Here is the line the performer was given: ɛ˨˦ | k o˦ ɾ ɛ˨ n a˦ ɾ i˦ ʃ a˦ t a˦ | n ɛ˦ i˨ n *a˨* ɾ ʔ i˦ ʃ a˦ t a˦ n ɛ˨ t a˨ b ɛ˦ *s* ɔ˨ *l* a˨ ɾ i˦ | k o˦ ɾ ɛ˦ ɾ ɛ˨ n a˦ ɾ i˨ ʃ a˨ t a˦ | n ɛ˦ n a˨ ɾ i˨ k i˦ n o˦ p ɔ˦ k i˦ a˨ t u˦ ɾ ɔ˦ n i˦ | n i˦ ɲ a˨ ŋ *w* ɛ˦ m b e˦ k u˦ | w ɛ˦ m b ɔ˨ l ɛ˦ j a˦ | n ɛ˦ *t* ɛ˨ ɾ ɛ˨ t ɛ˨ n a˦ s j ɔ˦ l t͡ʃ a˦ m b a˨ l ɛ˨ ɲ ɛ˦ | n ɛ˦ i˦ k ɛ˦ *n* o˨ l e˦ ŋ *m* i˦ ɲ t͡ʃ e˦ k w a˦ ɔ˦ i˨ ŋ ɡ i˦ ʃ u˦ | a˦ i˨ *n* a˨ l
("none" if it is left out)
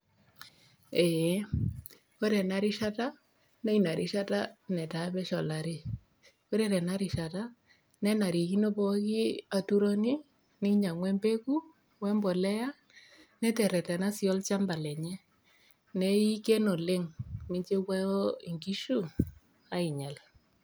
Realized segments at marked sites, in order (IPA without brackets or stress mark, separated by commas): a˨, ʃ, l, w, t, n, m, ɲ